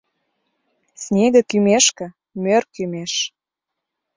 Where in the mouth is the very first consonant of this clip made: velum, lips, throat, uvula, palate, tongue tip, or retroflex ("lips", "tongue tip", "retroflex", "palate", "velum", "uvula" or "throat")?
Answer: tongue tip